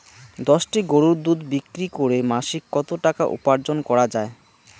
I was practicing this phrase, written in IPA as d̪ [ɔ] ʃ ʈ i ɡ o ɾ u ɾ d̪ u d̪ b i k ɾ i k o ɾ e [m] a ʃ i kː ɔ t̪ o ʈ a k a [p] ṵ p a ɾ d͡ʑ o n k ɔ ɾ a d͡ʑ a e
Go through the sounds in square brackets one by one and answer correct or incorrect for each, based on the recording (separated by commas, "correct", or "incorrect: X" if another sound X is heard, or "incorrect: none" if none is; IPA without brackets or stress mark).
correct, correct, incorrect: ʔ